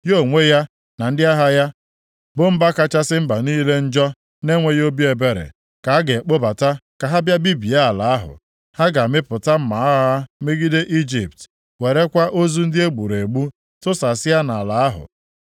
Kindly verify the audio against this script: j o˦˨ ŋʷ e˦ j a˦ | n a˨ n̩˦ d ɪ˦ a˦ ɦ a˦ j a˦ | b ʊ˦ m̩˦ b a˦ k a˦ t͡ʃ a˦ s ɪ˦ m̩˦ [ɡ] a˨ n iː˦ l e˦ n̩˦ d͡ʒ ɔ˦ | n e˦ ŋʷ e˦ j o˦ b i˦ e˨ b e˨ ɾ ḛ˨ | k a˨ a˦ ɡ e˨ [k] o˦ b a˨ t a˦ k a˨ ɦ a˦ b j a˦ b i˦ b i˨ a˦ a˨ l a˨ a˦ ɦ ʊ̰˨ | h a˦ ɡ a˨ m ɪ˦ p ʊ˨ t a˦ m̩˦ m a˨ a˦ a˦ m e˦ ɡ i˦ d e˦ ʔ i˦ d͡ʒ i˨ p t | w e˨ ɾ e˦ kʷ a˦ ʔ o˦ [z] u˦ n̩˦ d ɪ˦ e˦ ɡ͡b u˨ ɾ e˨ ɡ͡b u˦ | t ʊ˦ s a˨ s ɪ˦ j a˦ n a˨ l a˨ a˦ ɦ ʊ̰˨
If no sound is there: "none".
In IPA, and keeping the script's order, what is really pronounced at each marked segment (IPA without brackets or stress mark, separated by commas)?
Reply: b, k͡p, z